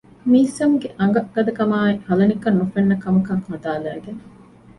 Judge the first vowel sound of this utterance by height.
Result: high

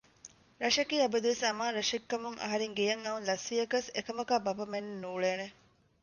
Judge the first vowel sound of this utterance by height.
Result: low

